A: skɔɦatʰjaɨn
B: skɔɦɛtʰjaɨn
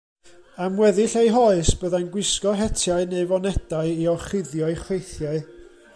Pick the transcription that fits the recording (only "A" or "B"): B